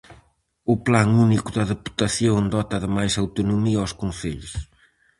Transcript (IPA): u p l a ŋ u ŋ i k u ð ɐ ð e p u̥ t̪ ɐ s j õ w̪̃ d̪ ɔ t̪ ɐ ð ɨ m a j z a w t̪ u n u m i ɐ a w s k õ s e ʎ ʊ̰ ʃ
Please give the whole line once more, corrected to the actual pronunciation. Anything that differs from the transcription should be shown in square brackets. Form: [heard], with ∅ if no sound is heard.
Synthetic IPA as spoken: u p l a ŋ u [n] i k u ð ɐ ð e p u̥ t̪ ɐ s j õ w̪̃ d̪ ɔ t̪ ɐ ð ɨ m a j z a w t̪ u n u m i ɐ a w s k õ s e ʎ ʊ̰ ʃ